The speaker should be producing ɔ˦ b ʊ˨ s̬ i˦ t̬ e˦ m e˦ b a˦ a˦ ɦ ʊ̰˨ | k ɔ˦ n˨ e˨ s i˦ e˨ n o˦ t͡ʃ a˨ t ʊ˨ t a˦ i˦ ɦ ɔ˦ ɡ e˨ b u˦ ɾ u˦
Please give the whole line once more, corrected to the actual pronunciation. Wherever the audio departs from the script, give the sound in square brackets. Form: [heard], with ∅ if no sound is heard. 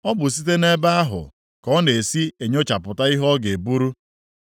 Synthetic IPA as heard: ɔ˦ b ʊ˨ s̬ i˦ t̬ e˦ [n] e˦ b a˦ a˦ ɦ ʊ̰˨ | k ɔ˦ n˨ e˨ s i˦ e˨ [ɲ] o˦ t͡ʃ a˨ [p] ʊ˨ t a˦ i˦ ɦ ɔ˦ ɡ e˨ b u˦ ɾ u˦